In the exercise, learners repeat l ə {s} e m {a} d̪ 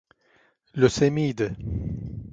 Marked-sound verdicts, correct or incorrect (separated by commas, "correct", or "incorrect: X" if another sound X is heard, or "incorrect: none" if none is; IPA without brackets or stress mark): correct, incorrect: i